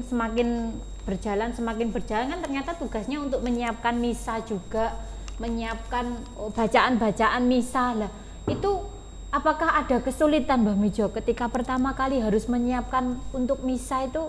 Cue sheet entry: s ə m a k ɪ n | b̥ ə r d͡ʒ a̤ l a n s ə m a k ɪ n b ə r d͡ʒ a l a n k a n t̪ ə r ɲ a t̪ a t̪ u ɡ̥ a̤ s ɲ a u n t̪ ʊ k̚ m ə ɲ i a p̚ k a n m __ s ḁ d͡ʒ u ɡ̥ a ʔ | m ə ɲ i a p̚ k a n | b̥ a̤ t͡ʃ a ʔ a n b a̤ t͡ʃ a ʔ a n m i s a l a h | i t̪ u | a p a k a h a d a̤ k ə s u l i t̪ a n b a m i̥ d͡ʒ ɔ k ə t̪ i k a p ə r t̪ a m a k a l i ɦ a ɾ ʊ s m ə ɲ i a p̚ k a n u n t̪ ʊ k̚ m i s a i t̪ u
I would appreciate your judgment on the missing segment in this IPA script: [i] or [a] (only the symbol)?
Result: i